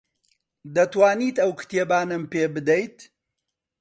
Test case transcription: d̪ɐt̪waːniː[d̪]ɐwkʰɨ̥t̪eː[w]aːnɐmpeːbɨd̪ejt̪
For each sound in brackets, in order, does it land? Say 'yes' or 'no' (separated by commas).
no, no